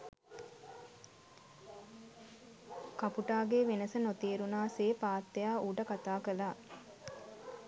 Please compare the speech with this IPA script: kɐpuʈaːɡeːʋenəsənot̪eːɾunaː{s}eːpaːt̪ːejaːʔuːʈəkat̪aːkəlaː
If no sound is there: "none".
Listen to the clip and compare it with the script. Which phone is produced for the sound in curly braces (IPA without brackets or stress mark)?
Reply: s